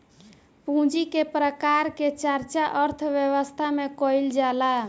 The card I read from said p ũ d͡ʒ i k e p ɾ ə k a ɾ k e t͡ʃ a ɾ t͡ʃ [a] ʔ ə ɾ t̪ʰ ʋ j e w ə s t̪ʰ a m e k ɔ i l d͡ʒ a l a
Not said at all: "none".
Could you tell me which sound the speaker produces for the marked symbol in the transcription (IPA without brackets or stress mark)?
a